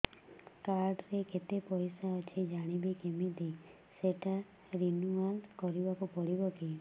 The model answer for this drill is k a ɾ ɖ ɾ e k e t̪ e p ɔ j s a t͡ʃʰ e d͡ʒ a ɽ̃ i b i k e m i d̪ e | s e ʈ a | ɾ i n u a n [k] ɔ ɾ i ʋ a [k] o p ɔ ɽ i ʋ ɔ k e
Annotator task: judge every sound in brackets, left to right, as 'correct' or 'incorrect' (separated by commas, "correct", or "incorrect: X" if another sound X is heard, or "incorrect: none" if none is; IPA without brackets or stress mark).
correct, correct